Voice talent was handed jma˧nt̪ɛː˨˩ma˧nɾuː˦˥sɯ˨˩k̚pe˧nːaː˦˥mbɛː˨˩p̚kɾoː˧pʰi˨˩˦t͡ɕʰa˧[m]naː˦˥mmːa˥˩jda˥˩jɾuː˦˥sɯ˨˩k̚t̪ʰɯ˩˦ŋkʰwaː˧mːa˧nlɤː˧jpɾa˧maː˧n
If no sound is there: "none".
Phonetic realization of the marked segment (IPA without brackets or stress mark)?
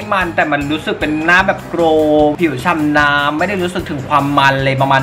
m